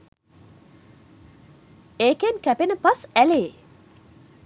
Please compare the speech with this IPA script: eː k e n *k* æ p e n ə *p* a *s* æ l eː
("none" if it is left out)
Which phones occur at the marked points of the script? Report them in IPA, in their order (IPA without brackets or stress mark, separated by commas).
k, p, s